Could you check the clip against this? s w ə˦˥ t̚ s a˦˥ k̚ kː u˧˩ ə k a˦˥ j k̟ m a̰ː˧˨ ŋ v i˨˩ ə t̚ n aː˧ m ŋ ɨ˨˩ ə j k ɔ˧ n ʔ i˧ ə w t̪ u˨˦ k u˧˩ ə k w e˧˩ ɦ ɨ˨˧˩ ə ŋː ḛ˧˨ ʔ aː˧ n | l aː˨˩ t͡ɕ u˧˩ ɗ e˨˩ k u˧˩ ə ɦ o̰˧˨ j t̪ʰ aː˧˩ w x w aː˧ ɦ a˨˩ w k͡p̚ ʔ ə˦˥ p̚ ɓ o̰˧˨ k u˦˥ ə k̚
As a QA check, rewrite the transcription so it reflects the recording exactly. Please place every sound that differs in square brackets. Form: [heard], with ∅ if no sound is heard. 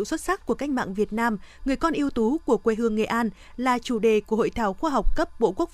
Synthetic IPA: s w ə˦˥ t̚ s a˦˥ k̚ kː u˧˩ ə k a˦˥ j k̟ m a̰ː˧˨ ŋ v i˨˩ ə t̚ n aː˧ m ŋ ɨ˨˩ ə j k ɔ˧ n ʔ i˧ ə w t̪ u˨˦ k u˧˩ ə k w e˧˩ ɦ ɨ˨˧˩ ə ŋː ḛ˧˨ ʔ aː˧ n | l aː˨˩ t͡ɕ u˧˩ ɗ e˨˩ k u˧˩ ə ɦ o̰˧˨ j t̪ʰ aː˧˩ w x w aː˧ ɦ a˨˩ w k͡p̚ [k] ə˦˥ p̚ ɓ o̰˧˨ k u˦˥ ə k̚